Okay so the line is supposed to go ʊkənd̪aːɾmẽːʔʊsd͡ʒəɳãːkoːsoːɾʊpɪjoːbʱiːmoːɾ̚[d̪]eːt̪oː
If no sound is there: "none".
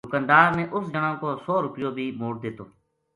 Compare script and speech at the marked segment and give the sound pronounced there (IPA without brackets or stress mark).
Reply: d̪